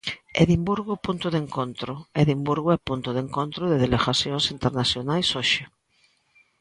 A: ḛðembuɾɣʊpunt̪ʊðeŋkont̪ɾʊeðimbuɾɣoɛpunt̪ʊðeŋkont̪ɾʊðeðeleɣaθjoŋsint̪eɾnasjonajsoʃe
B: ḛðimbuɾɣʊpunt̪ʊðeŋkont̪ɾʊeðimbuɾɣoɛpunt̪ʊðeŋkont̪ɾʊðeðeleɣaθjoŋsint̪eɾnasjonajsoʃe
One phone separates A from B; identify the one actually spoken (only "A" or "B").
B